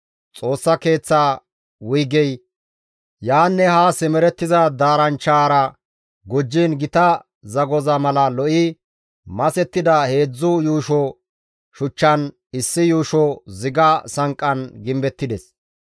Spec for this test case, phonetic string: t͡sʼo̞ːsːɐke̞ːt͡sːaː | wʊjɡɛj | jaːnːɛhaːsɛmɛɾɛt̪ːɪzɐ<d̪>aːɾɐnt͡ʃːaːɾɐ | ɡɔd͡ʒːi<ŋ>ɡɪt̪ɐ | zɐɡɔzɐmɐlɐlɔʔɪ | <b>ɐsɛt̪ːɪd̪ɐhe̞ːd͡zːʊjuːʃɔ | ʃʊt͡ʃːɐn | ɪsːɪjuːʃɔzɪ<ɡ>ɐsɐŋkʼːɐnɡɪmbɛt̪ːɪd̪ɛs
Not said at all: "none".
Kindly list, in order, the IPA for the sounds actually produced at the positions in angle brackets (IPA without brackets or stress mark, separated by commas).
d̪, n, m, ɡ